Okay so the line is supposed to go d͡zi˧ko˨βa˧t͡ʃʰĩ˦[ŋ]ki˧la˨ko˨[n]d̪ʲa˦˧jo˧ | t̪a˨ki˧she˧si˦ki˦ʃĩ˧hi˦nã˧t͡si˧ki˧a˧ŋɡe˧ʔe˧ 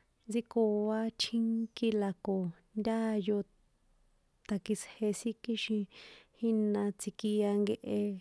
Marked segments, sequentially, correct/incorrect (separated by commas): correct, correct